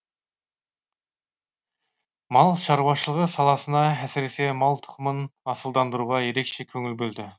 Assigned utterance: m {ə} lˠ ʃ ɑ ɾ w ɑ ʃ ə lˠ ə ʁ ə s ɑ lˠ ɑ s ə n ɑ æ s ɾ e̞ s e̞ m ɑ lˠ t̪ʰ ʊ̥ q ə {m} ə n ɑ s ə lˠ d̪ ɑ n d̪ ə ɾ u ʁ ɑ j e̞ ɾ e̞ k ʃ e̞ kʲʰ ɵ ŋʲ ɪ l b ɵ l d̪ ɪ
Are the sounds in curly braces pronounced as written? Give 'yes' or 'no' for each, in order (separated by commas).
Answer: no, yes